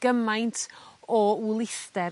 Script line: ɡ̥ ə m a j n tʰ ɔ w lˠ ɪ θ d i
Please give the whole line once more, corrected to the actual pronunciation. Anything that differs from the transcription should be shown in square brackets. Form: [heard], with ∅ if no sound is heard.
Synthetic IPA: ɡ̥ ə m a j n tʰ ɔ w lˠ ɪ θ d [ɛ]